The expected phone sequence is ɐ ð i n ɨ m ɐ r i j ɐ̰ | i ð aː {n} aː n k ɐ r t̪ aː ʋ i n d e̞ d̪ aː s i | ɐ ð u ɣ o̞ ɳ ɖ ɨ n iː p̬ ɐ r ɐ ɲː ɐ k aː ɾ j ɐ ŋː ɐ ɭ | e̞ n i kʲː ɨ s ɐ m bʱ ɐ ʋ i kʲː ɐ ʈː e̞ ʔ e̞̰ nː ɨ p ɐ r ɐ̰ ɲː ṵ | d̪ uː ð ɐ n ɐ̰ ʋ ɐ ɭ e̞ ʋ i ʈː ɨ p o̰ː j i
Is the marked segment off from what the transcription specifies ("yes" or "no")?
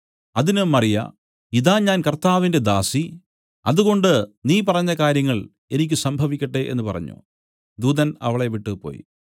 yes